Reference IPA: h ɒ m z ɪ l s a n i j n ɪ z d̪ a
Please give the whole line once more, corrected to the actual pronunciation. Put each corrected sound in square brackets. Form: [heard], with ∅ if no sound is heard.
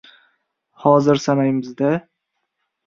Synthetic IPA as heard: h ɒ [∅] z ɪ [ɾ] s a n [a] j [m] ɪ z d̪ a